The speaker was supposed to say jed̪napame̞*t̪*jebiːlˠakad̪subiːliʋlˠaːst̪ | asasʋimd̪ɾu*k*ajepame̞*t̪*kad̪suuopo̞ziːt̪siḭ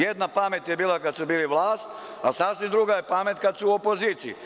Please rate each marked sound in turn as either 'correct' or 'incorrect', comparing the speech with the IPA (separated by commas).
correct, incorrect, correct